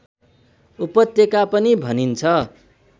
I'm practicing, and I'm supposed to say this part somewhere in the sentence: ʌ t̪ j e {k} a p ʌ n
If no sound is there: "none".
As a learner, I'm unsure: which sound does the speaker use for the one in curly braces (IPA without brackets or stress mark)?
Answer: k